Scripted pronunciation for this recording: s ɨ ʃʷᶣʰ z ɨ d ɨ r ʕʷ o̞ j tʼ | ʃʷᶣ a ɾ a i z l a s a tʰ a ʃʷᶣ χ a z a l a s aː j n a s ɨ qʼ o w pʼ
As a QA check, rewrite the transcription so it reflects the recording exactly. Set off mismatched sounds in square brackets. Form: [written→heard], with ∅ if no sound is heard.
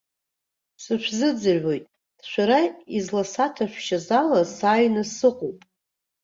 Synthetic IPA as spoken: s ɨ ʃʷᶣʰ z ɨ [d→d͡z] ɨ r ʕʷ o̞ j tʼ | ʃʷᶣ a ɾ a i z l a s a tʰ a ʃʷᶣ [χ→ʃ] a z a l a s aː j n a s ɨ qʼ o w pʼ